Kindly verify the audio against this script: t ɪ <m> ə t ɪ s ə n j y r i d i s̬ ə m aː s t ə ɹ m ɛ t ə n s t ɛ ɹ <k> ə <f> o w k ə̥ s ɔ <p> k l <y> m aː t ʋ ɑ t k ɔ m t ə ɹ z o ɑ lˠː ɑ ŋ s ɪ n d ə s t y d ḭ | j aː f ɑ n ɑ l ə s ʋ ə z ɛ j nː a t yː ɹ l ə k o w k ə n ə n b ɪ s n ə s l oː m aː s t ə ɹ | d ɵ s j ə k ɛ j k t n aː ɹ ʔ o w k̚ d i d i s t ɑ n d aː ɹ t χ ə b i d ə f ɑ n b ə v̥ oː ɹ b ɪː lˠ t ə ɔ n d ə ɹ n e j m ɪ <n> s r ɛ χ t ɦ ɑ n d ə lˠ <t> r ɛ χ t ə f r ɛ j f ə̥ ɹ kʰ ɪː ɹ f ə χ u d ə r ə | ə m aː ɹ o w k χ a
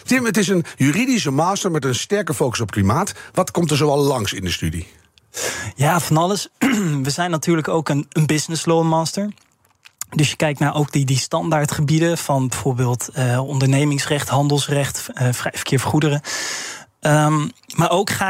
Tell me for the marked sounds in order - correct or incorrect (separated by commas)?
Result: correct, correct, correct, correct, incorrect, incorrect, incorrect